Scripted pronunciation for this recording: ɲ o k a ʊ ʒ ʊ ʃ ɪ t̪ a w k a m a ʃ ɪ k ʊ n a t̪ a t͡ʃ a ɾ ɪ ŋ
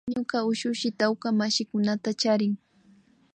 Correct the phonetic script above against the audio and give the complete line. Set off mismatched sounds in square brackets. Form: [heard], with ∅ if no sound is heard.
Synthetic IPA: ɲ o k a ʊ [ʃ] ʊ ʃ ɪ t̪ a w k a m a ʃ ɪ k ʊ n a t̪ a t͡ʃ a ɾ ɪ ŋ